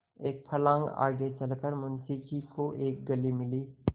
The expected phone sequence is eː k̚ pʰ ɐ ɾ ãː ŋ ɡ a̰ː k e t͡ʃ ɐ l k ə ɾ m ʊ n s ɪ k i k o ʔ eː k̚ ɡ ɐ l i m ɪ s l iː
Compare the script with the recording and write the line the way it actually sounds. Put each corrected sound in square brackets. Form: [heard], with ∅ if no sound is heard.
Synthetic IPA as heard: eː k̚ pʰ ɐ [l] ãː ŋ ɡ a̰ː [ɡ] e t͡ʃ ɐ l k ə ɾ m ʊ n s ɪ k i k o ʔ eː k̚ ɡ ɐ l i m ɪ [∅] l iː